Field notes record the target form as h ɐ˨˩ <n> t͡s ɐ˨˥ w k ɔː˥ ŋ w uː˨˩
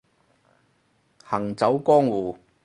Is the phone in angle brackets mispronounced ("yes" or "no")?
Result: yes